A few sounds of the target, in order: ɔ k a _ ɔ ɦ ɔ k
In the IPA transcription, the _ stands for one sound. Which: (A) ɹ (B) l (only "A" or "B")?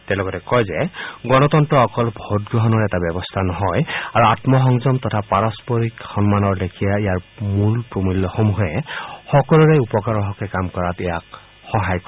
A